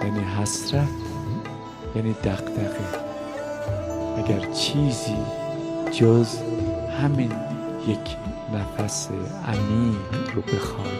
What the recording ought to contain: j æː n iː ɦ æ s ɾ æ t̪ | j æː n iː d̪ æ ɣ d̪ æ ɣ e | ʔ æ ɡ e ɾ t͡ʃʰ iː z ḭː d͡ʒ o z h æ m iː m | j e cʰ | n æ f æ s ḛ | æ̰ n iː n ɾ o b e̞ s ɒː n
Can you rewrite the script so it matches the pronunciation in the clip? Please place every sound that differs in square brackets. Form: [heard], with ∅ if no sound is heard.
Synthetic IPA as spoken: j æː n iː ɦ æ s ɾ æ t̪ | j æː n iː d̪ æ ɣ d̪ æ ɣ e | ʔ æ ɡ [æ] ɾ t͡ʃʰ iː z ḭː d͡ʒ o z h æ m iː [n] | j e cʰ | n æ f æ s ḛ | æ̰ [m] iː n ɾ o b e̞ [x] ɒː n